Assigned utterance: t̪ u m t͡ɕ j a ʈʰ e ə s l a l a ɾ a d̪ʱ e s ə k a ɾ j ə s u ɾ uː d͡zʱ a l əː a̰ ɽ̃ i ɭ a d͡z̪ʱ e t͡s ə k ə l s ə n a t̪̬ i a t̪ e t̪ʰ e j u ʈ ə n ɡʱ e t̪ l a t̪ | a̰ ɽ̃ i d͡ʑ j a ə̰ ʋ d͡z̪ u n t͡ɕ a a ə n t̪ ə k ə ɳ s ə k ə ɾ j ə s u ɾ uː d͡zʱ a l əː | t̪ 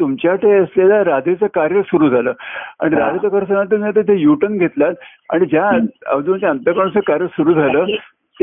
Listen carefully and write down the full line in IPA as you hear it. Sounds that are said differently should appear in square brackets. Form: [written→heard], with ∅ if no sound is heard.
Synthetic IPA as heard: t̪ u m t͡ɕ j a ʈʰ e ə s l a l a ɾ a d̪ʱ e [s→t͡s] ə k a ɾ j ə s u ɾ uː d͡zʱ a l əː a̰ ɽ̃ i [ɭ→ɾ] a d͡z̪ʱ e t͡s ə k ə [l→ɾ] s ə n a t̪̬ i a t̪ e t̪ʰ e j u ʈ ə n ɡʱ e t̪ l a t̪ | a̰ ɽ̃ i d͡ʑ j a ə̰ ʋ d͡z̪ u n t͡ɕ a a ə n t̪ ə k ə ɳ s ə k [ə→a] ɾ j ə s u ɾ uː d͡zʱ a l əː | t̪